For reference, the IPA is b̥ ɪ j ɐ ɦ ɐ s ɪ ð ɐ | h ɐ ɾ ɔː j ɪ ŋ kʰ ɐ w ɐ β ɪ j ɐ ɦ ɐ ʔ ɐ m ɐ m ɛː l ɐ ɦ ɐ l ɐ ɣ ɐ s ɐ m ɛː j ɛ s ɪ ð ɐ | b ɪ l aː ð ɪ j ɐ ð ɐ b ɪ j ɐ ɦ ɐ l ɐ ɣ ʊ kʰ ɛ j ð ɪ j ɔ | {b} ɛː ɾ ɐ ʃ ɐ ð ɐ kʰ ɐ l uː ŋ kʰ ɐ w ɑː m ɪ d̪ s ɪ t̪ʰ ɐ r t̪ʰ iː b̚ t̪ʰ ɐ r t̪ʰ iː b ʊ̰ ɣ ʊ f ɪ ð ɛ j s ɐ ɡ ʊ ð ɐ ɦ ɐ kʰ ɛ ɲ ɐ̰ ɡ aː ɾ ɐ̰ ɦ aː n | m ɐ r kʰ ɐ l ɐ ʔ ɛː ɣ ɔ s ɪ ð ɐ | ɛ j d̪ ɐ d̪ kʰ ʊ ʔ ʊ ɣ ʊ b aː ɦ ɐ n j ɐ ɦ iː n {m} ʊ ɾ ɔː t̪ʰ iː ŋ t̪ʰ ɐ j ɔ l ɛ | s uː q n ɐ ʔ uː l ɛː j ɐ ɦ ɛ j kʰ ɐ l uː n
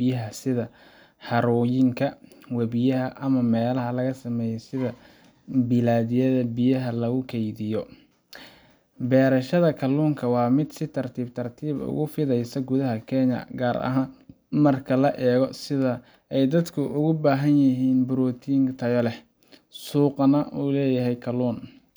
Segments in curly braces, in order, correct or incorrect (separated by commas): correct, incorrect